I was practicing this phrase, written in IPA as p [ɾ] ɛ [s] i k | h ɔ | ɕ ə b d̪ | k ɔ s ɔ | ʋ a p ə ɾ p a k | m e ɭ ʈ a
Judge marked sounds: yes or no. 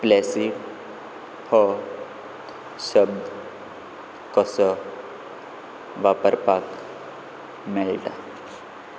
no, yes

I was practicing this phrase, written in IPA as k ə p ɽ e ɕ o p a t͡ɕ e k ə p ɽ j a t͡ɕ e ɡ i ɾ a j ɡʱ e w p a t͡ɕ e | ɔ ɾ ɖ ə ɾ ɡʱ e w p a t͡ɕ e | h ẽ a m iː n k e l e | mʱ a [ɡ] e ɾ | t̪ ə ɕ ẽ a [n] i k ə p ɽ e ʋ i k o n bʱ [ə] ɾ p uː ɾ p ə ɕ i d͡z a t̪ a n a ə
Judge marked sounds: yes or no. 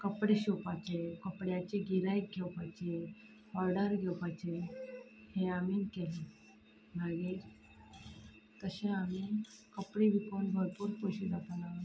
yes, no, yes

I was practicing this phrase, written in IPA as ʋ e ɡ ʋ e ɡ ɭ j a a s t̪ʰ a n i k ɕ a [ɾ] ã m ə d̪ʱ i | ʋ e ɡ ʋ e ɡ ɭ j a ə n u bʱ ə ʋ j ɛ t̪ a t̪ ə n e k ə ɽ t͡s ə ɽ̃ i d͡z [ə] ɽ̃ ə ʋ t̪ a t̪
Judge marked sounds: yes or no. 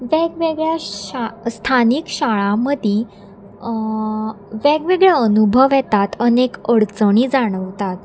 no, no

